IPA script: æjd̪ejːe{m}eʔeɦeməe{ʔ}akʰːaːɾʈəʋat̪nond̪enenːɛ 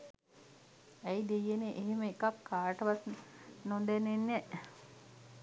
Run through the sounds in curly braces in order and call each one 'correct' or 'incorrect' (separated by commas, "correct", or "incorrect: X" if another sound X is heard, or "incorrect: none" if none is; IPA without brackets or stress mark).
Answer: incorrect: n, incorrect: k